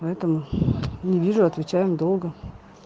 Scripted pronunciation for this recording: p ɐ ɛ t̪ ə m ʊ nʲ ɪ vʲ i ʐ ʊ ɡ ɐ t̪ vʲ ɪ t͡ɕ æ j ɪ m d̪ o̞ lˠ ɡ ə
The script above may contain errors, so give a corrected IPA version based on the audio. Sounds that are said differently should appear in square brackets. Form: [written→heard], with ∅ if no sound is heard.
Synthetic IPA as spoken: p ɐ ɛ t̪ ə m ʊ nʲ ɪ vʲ i ʐ ʊ [ɡ→∅] ɐ t̪ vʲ ɪ t͡ɕ æ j ɪ m d̪ o̞ lˠ ɡ ə